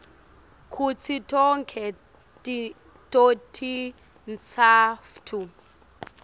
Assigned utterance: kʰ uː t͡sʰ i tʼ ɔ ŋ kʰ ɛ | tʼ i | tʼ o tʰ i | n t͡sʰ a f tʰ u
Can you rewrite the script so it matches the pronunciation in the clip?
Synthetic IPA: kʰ u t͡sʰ i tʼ ɔ ŋ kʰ ɛ | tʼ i | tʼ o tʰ i | n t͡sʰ a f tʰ u